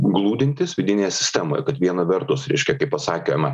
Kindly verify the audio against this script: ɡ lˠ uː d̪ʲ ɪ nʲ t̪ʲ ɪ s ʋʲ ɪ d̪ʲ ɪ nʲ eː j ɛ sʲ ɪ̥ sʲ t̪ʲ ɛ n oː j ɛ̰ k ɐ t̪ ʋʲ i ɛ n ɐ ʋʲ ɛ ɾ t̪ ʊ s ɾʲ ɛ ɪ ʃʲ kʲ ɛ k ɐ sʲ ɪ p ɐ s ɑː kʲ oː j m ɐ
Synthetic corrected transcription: ɡ lˠ uː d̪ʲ ɪ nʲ t̪ʲ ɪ s ʋʲ ɪ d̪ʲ ɪ nʲ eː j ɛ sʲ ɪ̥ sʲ t̪ʲ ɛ m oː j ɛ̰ k ɐ t̪ ʋʲ i ɛ n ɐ ʋʲ ɛ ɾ t̪ ʊ s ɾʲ ɛ ɪ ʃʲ kʲ ɛ k ɐ ɪ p ɐ s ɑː kʲ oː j m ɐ